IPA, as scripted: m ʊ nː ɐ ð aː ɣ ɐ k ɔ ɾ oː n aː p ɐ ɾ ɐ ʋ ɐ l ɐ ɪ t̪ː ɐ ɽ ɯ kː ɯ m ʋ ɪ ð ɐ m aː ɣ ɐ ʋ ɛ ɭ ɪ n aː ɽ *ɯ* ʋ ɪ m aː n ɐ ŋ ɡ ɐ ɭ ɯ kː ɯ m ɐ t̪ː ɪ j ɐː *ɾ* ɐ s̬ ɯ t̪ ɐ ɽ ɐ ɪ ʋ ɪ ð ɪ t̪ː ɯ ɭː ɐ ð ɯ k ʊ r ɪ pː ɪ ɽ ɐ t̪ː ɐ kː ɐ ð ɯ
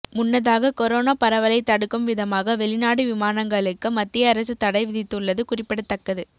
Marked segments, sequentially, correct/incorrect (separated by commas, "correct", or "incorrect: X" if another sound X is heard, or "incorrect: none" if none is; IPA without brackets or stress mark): correct, correct